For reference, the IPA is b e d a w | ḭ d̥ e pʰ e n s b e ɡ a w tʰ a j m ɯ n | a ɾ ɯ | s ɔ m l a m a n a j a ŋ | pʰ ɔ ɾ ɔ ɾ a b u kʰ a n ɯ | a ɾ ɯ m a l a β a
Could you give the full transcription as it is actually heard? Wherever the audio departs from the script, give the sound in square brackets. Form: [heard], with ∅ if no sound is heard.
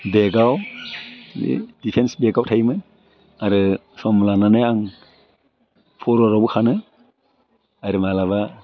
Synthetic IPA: b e [ɡ] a w | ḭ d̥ [i] pʰ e n s b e ɡ a w tʰ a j m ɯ n | a ɾ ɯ | s ɔ m l a [n] a n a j a ŋ | pʰ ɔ ɾ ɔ ɾ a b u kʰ a n ɯ | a ɾ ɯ m a l a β a